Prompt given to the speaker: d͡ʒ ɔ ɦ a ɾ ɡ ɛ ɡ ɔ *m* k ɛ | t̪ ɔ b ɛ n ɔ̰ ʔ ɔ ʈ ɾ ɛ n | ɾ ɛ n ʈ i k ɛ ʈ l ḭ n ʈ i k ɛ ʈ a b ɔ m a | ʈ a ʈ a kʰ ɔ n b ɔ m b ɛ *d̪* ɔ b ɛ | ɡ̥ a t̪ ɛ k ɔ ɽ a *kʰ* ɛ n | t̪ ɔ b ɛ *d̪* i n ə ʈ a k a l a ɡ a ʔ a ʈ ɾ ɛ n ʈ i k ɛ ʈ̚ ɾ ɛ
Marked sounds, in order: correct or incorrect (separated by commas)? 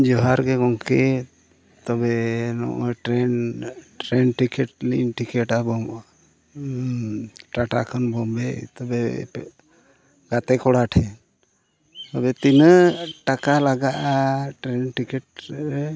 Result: incorrect, incorrect, incorrect, incorrect